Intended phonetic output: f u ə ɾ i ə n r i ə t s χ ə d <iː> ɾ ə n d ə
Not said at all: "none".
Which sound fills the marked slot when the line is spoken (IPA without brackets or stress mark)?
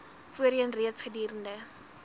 iː